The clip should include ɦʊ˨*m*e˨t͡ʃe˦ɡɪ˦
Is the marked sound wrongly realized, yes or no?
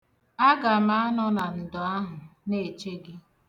yes